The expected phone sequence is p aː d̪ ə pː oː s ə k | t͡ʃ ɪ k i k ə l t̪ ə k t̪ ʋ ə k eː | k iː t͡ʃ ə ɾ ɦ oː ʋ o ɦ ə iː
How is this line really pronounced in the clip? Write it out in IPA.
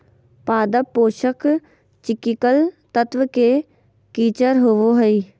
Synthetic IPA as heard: p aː d̪ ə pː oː ʃ ə k | t͡ʃ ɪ k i k ə l t̪ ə t̪ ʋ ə k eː | k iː t͡ʃ ə ɾ ɦ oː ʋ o ɦ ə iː